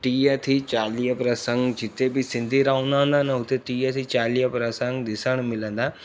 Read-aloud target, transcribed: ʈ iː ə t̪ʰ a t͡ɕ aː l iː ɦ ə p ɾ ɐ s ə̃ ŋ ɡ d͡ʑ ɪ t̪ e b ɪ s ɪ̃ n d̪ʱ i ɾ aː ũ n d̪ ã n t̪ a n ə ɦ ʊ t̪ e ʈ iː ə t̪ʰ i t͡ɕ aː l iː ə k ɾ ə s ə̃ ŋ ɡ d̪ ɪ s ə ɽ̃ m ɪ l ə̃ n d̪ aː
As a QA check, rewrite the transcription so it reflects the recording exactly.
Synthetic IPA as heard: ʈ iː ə t̪ʰ i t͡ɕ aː l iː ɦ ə p ɾ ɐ s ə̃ ŋ ɡ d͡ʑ ɪ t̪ e b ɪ s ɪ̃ n d̪ʱ i ɾ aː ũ n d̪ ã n d̪ a n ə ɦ ʊ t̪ e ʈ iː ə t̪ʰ i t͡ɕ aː l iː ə p ɾ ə s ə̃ ŋ ɡ d̪ ɪ s ə ɽ̃ m ɪ l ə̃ n d̪ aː

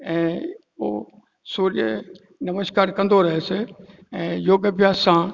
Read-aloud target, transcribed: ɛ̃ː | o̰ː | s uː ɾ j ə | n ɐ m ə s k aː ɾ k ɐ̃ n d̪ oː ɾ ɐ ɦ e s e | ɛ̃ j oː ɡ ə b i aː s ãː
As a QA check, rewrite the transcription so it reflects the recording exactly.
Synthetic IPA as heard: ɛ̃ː | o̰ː | s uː ɾ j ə | n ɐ m ə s k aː ɾ k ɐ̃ n d̪ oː ɾ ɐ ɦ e s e | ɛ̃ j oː ɡ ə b j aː s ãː

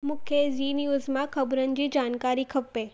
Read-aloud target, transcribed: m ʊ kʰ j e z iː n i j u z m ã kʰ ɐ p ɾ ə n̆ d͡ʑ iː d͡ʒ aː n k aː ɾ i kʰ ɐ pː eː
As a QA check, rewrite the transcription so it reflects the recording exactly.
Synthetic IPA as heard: m ʊ kʰ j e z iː n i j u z m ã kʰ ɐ b ɾ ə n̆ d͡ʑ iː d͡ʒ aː n k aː ɾ i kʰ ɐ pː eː

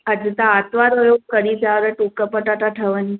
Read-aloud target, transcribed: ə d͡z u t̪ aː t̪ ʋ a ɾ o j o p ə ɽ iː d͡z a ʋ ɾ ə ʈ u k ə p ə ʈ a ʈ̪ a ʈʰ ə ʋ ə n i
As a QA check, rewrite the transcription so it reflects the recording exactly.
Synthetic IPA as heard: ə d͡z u t̪ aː t̪ ʋ a ɾ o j o k ə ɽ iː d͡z a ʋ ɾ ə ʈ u k ə p ə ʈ a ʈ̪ a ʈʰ ə ʋ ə n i

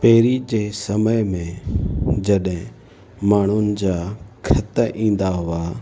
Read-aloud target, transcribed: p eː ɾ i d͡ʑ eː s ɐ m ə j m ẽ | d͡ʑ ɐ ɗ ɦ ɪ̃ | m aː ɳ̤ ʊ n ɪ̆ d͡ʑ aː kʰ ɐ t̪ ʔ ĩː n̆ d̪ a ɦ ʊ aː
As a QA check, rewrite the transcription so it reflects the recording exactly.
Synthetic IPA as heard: p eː ɾ i d͡ʑ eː s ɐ m ə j m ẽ | d͡ʑ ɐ ɗ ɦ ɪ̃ | m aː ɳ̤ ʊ n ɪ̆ d͡ʑ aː kʰ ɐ t̪ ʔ ĩː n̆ d̪ a ɦ ʊ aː

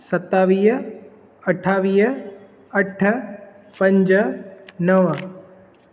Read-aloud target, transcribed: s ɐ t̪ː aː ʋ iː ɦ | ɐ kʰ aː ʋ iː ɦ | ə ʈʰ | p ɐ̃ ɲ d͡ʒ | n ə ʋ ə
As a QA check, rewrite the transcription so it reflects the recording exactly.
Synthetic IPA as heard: s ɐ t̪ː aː ʋ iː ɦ | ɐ ʈʰ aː ʋ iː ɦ | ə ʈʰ | p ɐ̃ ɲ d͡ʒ | n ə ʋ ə

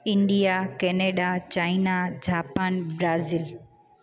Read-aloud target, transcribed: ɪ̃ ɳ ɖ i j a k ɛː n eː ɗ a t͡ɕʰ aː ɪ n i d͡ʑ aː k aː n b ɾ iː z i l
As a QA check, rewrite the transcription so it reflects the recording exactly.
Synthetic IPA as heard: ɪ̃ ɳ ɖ i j a k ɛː n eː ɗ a t͡ɕ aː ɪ n a d͡ʑ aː p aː n b ɾ aː z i l

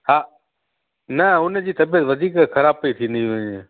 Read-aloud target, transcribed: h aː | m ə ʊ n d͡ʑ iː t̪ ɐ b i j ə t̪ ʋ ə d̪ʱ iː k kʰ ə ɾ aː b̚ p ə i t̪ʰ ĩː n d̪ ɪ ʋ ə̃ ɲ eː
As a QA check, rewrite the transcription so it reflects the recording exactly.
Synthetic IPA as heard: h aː | n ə ʊ n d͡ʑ iː t̪ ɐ b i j ə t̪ ʋ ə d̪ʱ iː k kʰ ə ɾ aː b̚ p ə i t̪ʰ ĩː n d̪ i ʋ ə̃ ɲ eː

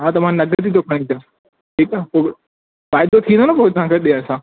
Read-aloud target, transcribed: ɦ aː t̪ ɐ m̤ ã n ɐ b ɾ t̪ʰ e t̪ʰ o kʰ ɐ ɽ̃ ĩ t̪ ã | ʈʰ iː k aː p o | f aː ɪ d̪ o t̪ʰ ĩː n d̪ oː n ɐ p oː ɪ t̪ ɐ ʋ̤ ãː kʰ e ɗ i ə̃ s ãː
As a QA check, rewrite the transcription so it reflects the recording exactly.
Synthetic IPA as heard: ɦ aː t̪ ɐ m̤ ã n ɐ ɡ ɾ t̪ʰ i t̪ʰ o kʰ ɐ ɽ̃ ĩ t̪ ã | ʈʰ iː k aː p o | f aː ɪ d̪ o t̪ʰ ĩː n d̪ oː n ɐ p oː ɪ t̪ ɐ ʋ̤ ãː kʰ e ɗ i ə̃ s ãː

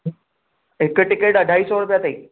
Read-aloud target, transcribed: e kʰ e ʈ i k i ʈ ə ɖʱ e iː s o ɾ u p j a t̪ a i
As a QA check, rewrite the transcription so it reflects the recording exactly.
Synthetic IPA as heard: e k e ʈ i k e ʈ ə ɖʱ a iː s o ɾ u p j a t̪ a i

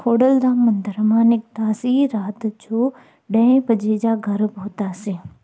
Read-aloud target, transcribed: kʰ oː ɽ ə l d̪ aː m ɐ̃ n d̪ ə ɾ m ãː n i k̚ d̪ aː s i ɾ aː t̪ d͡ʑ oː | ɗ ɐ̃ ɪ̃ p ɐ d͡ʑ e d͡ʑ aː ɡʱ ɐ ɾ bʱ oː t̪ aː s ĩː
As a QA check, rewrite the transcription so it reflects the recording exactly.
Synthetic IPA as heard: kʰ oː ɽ ə l d̪ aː m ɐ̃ n d̪ ə ɾ m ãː n ɪ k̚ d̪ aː s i ɾ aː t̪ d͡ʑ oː | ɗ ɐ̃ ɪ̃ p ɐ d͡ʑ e d͡ʑ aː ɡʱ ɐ ɾ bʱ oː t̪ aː s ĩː

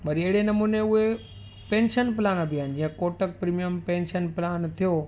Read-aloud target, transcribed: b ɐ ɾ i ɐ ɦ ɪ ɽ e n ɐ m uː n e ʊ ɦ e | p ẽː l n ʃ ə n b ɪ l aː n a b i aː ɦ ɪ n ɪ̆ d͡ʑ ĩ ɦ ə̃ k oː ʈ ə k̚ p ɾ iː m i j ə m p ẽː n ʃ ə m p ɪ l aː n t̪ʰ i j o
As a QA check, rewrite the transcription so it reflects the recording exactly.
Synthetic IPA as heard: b ɐ ɾ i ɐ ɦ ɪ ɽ e n ɐ m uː n e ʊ ɦ e | p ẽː n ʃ ə n p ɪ l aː n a b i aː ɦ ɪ n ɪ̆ d͡ʑ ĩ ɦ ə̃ k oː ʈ ə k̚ p ɾ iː m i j ə m p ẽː n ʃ ə n p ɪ l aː n t̪ʰ i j o

